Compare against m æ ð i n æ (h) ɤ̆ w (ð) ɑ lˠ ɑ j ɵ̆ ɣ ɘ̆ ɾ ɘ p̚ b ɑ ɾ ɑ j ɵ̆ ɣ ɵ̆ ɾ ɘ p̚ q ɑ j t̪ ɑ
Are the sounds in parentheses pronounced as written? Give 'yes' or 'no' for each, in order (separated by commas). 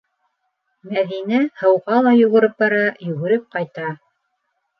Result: yes, no